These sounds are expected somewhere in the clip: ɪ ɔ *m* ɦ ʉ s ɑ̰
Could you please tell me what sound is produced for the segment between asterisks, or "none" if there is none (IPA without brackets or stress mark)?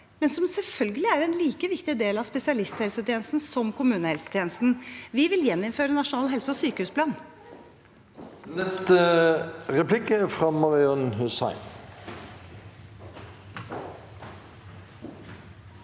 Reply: n